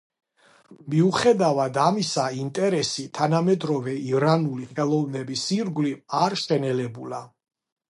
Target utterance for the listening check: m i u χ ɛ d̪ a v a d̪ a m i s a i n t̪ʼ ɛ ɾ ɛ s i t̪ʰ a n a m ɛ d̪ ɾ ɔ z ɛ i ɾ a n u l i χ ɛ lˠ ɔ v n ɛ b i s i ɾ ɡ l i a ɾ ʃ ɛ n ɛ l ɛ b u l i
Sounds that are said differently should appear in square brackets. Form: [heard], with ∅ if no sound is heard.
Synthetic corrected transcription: m i u χ ɛ d̪ a v a d̪ a m i s a i n t̪ʼ ɛ ɾ ɛ s i t̪ʰ a n a m ɛ d̪ ɾ ɔ [v] ɛ i ɾ a n u l i χ ɛ lˠ ɔ v n ɛ b i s i ɾ ɡ l i a ɾ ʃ ɛ n ɛ l ɛ b u l [a]